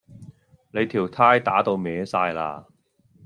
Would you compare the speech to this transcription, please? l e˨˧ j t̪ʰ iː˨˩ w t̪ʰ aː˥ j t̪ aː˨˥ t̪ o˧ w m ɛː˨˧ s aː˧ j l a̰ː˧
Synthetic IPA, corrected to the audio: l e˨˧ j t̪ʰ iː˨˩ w t̪ʰ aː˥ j t̪ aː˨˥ t̪ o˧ w m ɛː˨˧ s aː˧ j l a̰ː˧